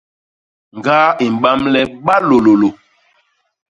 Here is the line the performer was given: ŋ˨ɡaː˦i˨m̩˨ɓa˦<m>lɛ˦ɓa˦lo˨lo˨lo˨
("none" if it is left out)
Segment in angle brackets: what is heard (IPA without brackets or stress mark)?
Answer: m